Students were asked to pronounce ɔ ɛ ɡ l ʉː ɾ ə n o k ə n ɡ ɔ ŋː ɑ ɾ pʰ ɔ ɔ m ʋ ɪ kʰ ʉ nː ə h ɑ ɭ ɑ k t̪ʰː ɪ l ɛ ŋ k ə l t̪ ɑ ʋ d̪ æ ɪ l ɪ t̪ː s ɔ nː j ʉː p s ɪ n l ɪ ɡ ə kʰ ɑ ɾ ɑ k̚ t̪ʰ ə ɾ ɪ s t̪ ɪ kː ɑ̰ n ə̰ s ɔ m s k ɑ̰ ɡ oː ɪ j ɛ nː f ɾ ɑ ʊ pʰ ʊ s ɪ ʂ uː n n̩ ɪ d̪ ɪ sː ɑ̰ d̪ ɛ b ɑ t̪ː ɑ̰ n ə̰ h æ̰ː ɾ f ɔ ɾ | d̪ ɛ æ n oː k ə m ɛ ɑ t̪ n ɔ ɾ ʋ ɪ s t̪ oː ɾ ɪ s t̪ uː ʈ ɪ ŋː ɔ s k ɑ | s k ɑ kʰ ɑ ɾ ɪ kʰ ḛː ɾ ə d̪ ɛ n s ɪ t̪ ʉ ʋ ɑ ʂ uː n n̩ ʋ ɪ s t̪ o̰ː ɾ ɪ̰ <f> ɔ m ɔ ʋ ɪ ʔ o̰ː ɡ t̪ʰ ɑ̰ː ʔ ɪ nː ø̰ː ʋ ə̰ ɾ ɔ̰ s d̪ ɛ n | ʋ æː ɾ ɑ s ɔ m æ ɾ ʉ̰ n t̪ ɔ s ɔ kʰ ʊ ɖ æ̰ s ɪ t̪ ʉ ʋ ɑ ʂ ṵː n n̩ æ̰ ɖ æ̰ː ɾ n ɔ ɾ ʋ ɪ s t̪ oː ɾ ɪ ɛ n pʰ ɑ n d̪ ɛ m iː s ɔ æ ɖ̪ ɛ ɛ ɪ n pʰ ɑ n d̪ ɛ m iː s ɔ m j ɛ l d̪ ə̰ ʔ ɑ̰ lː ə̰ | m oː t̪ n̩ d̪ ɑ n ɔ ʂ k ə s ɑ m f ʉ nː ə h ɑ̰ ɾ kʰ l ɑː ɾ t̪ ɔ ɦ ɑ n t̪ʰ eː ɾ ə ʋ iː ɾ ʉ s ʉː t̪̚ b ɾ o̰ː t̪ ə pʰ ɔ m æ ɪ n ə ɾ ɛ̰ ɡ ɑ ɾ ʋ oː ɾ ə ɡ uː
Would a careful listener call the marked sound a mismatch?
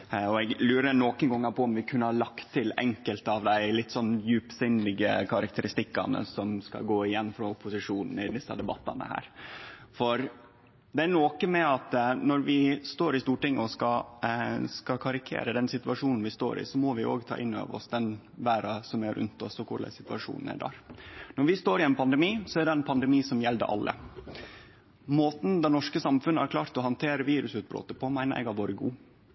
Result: yes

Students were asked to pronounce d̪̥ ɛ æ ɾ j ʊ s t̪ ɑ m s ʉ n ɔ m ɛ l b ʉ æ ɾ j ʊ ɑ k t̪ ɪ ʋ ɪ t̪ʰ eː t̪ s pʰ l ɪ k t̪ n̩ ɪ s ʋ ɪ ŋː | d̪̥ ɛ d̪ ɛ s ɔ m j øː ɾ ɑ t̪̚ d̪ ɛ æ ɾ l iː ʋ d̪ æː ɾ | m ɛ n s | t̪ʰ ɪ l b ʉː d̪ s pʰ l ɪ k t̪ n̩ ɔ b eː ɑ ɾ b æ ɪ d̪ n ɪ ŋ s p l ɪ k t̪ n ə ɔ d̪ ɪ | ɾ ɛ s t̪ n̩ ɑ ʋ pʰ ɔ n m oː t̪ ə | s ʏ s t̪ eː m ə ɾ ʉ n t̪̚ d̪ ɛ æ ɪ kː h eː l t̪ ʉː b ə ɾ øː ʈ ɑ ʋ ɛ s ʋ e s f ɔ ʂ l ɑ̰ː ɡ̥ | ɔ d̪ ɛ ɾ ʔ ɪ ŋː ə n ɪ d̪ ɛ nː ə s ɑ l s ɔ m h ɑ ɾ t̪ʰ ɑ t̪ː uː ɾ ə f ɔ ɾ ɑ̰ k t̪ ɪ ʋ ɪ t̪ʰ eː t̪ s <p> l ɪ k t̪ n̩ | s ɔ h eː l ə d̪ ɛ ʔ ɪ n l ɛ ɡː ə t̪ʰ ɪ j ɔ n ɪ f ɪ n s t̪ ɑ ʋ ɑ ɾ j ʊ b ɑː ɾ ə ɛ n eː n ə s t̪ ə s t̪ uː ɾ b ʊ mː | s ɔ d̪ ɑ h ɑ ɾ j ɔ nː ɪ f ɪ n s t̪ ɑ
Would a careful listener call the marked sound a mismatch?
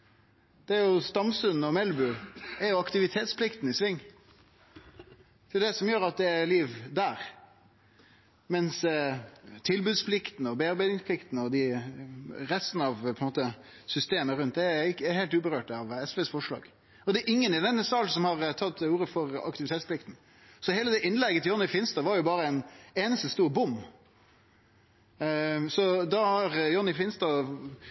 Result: no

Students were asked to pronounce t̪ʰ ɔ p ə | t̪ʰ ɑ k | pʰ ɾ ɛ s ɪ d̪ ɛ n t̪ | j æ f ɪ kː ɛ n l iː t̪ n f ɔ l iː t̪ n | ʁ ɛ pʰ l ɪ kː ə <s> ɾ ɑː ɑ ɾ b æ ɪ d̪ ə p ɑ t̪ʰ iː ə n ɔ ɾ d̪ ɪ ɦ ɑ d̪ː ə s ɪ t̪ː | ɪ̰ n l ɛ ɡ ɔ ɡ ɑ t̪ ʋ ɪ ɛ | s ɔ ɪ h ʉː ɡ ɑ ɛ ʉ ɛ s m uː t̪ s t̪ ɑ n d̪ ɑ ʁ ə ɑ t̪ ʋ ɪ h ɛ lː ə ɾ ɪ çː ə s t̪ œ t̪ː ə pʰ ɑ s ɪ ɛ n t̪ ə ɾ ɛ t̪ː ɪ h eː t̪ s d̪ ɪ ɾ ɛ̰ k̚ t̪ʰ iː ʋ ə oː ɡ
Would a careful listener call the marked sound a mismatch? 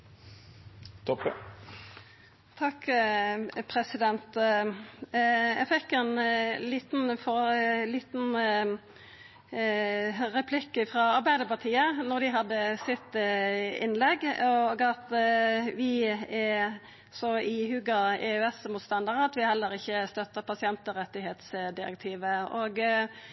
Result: yes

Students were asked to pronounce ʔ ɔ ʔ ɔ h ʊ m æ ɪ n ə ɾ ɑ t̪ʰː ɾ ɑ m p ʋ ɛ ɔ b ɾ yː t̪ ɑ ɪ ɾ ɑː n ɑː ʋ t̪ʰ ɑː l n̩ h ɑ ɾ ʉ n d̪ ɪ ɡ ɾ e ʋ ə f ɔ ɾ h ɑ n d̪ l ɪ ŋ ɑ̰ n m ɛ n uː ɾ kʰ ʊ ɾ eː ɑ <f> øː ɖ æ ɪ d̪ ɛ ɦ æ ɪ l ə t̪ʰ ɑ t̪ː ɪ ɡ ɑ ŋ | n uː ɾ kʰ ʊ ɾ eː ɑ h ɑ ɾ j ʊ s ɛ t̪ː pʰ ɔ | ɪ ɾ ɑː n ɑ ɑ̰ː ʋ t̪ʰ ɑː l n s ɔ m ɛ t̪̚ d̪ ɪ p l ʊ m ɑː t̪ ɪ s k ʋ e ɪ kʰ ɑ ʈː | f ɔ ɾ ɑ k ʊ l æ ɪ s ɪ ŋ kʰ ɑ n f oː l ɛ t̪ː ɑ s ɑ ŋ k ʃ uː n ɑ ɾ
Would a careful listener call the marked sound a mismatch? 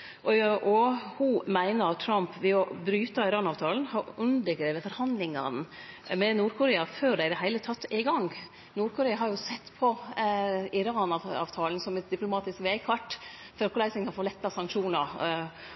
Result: no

